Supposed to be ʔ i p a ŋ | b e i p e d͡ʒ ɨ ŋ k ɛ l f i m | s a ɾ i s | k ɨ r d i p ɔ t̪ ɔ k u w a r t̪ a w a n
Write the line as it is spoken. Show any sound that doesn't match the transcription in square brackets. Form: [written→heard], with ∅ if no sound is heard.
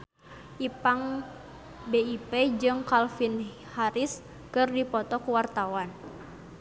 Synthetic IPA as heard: ʔ i p a ŋ | b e i p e d͡ʒ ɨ ŋ k [ɛ→a] l f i [m→n] | [s→h] a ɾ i s | k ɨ r d i p ɔ t̪ ɔ k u w a r t̪ a w a n